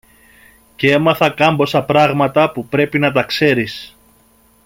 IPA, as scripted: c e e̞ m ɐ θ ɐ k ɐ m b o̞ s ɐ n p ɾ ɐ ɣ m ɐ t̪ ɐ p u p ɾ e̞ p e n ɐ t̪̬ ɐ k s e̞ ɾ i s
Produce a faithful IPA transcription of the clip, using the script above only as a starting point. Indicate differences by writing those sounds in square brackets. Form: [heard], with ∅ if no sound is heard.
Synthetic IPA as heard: c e e̞ m ɐ θ ɐ k ɐ m b o̞ s ɐ [∅] p ɾ ɐ ɣ m ɐ t̪ ɐ p u p ɾ e̞ p [i] n ɐ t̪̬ ɐ k s e̞ ɾ i s